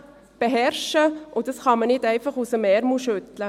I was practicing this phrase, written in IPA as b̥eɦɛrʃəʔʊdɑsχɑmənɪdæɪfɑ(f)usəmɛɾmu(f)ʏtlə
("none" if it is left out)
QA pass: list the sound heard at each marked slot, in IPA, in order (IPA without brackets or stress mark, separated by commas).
χ, ʃ